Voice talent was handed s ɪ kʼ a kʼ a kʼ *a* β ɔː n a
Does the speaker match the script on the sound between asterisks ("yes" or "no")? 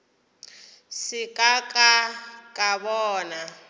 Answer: yes